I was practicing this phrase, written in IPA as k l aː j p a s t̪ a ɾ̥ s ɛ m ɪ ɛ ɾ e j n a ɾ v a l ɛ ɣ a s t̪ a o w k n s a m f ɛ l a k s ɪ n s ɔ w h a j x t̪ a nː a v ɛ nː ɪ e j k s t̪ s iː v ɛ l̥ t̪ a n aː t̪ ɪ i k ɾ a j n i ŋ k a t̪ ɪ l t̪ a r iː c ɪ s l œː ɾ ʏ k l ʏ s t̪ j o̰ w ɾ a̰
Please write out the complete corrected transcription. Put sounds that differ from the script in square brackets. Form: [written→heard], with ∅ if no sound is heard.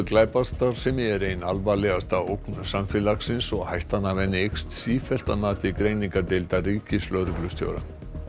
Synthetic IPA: k l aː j p a s t̪ a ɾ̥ s ɛ m ɪ ɛ ɾ e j n a [ɾ→l] v a l ɛ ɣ a s t̪ a o w k n s a m f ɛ l a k s ɪ n s ɔ [w→ɣ] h a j [x→h] t̪ a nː a v ɛ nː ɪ e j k s t̪ s iː [v→f] ɛ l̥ t̪ a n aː t̪ ɪ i k ɾ [a→e] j n i ŋ k a t̪ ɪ l t̪ a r iː c ɪ s l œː ɾ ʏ k l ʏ s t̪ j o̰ w ɾ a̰